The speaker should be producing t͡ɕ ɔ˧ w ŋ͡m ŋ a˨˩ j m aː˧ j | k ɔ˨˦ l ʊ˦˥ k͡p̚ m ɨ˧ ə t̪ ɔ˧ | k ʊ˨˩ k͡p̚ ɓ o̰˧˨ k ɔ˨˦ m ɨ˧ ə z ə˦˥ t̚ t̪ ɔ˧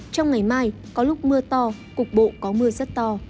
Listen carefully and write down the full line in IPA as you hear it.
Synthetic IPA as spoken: t͡ɕ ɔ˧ w ŋ͡m ŋ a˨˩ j m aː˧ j | k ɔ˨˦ l ʊ˦˥ k͡p̚ m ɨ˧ ə t̪ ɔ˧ | k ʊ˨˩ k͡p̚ ɓ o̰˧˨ k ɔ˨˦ m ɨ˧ ə z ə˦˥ t̚ t̪ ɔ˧